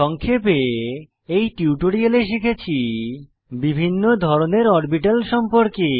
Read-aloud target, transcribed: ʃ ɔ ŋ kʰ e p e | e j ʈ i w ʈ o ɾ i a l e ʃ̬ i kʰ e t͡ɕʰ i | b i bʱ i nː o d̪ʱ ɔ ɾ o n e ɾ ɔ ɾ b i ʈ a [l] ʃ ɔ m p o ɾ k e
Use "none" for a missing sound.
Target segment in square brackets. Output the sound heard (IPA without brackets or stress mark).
l